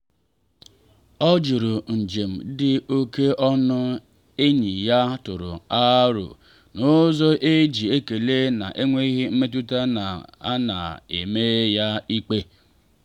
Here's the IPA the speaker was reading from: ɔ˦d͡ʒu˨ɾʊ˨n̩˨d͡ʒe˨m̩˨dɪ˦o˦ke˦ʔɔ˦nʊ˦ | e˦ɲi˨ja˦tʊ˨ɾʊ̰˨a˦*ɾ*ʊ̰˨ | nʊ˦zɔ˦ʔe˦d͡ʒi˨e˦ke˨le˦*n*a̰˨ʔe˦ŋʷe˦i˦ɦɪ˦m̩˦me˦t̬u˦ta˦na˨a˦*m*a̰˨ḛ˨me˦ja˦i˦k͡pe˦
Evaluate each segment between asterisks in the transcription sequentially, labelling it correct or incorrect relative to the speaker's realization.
correct, correct, incorrect: n

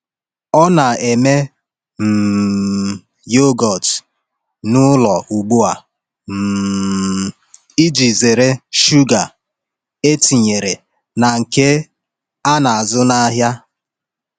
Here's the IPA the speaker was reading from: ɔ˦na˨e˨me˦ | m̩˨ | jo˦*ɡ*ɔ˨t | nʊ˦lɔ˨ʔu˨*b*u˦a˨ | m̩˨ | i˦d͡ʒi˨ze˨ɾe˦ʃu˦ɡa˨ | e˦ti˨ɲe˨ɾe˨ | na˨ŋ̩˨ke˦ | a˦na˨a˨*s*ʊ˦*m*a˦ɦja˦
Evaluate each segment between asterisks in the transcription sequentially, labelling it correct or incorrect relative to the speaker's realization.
correct, incorrect: ɡ͡b, incorrect: z, incorrect: n

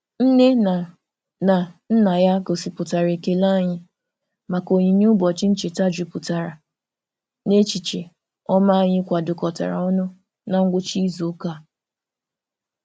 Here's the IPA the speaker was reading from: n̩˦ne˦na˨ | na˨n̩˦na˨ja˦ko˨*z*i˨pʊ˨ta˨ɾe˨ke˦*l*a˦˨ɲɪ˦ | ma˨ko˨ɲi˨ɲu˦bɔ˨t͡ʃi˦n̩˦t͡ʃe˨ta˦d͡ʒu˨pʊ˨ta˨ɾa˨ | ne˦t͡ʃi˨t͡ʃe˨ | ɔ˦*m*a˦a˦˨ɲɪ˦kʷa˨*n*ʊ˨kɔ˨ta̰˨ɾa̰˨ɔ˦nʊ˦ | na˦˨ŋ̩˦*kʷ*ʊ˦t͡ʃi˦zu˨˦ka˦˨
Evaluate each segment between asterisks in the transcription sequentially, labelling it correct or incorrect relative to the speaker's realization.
incorrect: s, correct, correct, incorrect: d, incorrect: ɡʷ

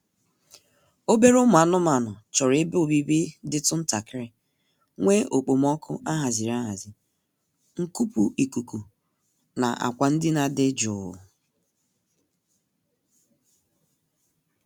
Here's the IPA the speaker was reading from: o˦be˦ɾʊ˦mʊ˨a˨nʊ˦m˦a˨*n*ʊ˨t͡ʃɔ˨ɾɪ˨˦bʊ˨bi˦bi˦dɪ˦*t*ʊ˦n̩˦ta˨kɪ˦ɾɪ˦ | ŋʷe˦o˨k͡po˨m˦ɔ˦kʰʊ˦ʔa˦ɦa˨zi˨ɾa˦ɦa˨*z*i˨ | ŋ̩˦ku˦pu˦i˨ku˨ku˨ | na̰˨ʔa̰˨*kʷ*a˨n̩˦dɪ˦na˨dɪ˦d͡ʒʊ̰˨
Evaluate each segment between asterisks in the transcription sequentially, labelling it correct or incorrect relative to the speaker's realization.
correct, correct, correct, correct

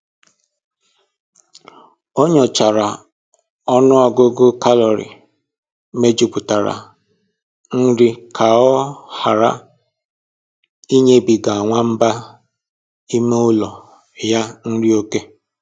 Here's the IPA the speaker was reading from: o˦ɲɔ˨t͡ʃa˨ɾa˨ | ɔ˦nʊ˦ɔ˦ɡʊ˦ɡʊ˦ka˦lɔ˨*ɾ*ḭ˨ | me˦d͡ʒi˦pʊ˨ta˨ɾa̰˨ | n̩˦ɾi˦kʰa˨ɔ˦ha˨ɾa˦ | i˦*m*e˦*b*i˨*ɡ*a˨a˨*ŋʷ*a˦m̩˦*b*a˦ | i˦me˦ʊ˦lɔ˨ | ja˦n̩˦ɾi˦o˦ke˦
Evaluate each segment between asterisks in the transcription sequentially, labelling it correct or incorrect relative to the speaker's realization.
correct, incorrect: ɲ, correct, correct, correct, correct

